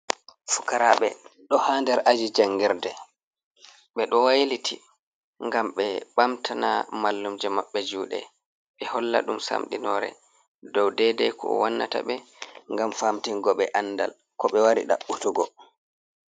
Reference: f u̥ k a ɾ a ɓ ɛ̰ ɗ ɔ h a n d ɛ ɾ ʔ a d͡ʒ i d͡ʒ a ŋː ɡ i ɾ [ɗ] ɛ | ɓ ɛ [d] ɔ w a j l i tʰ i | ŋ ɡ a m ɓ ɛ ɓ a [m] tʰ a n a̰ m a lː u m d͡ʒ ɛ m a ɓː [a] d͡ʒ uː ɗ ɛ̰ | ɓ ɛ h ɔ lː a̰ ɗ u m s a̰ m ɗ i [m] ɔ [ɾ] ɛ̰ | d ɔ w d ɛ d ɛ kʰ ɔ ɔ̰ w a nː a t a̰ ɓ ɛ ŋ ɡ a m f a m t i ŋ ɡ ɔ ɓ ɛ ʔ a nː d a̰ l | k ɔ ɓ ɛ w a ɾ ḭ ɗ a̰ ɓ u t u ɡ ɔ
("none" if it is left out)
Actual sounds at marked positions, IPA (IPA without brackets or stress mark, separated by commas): d, ɗ, m, ɛ, n, ɾ